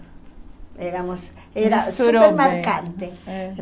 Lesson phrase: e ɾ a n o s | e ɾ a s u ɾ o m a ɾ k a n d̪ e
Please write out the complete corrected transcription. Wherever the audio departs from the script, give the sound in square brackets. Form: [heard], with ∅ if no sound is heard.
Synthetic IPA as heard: e ɾ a [m] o s | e ɾ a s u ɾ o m a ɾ k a n [t̪] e